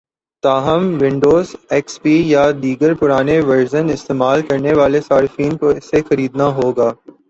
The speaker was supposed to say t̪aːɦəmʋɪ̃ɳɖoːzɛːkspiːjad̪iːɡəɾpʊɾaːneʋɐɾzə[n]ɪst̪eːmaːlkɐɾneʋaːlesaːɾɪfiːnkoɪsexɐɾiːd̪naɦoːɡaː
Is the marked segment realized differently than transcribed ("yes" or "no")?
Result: no